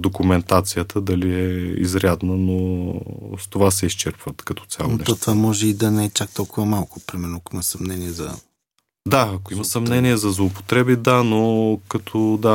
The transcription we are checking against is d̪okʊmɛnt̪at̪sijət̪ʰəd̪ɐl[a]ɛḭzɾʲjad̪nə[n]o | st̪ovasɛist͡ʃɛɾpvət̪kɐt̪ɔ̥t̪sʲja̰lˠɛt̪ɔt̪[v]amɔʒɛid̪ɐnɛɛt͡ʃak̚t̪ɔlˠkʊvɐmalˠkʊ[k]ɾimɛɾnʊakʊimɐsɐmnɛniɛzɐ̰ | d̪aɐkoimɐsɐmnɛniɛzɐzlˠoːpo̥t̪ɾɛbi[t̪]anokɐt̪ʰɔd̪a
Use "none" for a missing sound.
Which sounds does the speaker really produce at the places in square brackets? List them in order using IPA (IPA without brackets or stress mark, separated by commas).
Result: i, n, v, p, d̪